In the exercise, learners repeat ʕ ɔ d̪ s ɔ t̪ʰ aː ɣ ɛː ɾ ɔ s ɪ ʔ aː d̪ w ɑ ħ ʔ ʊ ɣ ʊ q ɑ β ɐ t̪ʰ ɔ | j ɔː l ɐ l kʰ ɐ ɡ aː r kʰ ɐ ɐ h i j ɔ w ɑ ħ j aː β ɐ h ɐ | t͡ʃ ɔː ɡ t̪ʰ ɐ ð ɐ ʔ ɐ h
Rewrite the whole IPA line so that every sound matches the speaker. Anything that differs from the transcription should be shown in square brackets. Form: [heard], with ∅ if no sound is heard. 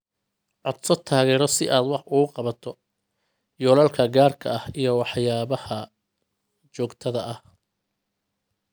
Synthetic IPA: ʕ ɔ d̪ s ɔ t̪ʰ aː ɣ ɛː ɾ ɔ s ɪ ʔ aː d̪ w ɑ ħ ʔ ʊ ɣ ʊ q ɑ β ɐ t̪ʰ ɔ | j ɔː l ɐ l kʰ ɐ ɡ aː r kʰ ɐ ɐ h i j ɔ w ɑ ħ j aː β ɐ h ɐ | t͡ʃ ɔː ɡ t̪ʰ ɐ ð ɐ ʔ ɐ h

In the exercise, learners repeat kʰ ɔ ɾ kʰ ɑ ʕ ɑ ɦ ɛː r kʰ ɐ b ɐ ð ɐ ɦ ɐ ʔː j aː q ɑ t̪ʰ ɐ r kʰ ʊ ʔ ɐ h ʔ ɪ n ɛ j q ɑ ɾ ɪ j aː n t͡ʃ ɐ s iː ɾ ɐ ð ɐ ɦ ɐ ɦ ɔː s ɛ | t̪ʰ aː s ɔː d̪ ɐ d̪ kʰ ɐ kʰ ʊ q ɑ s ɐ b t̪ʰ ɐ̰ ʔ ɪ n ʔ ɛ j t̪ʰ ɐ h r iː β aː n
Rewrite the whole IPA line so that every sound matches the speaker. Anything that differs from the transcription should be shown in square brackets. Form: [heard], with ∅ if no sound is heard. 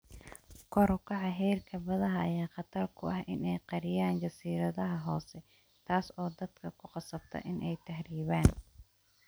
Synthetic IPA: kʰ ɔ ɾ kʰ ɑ ʕ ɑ ɦ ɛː r kʰ ɐ b ɐ ð ɐ ɦ ɐ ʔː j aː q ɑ t̪ʰ ɐ r kʰ ʊ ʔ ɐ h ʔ ɪ n ɛ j q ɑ ɾ ɪ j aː n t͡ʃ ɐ s iː ɾ ɐ ð ɐ ɦ ɐ ɦ ɔː s ɛ | t̪ʰ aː s ɔː d̪ ɐ d̪ kʰ ɐ kʰ ʊ q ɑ s ɐ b t̪ʰ ɐ̰ ʔ ɪ n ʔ ɛ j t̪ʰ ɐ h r iː β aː n

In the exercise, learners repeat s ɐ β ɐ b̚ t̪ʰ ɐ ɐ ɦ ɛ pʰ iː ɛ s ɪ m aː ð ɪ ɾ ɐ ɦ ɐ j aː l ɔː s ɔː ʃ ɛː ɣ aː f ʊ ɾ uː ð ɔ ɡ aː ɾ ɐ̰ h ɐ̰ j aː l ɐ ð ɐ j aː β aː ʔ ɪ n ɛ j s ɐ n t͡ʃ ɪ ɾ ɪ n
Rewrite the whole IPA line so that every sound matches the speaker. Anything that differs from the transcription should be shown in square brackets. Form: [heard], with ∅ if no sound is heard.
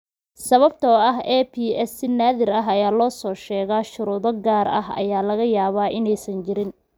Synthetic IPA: s ɐ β ɐ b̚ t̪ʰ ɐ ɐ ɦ ɛ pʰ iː ɛ s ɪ [n] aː ð ɪ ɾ ɐ ɦ ɐ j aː l ɔː s ɔː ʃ ɛː ɣ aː [ʃ] ʊ ɾ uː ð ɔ ɡ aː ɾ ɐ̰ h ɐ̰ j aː l ɐ [ɣ] ɐ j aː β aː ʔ ɪ n ɛ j s ɐ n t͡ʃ ɪ ɾ ɪ n

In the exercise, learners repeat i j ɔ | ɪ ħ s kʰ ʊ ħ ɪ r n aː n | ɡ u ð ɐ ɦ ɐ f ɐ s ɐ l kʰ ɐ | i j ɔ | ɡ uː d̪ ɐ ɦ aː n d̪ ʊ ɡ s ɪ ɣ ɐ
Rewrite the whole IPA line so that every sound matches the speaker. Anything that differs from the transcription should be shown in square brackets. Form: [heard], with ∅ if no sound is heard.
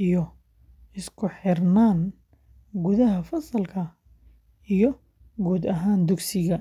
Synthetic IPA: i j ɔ | ɪ [∅] s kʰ ʊ ħ ɪ r n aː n | ɡ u ð ɐ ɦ ɐ f ɐ s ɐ l kʰ ɐ | i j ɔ | ɡ uː d̪ ɐ ɦ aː n d̪ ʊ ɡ s ɪ ɣ ɐ

